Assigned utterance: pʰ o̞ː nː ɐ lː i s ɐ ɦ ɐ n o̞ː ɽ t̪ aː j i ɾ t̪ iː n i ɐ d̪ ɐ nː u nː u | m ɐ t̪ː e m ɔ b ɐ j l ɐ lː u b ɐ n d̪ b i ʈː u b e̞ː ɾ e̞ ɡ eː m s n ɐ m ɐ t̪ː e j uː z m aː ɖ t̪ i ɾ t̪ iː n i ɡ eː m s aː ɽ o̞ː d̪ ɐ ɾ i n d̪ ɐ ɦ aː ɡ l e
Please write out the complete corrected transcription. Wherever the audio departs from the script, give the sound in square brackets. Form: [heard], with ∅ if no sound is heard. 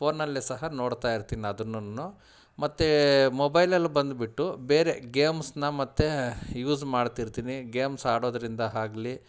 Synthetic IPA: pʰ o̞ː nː ɐ lː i s ɐ ɦ ɐ n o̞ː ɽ t̪ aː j i ɾ t̪ iː n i ɐ d̪ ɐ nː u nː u | m ɐ t̪ː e m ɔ b ɐ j l ɐ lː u b ɐ n d̪ b i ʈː u b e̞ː ɾ e̞ ɡ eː m s n ɐ m ɐ t̪ː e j uː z m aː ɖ t̪ i ɾ t̪ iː n i ɡ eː m s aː ɽ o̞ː d̪ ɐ ɾ i n d̪ ɐ ɦ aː ɡ l [i]